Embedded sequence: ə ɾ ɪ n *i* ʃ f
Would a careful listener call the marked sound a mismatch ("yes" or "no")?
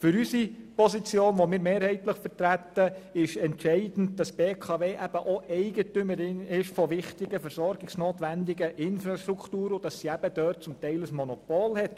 yes